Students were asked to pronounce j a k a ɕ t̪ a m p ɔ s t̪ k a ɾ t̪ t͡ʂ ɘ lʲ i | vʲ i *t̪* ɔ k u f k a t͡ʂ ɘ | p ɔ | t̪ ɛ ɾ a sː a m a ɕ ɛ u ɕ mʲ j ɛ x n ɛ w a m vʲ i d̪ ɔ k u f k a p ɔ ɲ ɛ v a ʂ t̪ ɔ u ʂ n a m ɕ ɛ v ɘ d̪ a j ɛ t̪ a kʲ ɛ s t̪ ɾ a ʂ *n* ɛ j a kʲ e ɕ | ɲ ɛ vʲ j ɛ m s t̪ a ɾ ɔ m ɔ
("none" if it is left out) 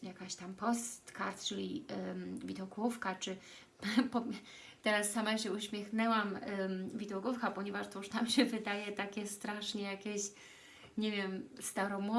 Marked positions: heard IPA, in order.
d̪, ɲ

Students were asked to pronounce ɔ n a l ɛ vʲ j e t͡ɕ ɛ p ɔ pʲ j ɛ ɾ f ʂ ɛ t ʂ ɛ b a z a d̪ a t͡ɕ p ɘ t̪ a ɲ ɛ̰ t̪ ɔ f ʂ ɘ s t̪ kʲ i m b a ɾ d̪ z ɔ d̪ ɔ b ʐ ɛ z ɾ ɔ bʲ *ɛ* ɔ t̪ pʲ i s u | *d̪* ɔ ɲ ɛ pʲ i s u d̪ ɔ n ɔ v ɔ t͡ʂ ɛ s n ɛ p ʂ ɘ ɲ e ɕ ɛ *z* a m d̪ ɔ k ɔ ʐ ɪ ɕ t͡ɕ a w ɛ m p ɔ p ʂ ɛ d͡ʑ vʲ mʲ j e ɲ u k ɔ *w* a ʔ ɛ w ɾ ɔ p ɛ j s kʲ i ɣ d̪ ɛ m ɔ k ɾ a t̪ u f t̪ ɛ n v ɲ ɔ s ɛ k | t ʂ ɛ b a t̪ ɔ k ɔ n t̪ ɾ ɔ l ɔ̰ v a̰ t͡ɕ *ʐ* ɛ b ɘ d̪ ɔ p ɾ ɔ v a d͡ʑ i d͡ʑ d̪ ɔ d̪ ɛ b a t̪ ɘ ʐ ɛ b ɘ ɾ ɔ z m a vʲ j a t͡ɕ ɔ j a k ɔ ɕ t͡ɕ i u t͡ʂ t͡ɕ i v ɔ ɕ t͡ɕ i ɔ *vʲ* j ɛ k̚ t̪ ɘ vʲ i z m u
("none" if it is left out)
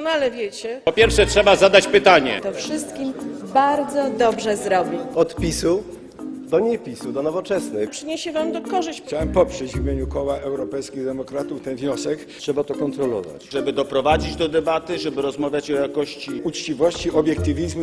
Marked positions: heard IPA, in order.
i, d̪, v, w, ʐ, bʲ

